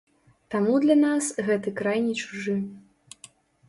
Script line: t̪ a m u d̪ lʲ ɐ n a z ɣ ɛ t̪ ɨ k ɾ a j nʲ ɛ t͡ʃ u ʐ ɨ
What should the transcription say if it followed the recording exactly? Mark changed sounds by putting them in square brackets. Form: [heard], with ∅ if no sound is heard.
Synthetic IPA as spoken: t̪ a m u d̪ lʲ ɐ n a [s] ɣ ɛ t̪ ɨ k ɾ a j nʲ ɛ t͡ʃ u ʐ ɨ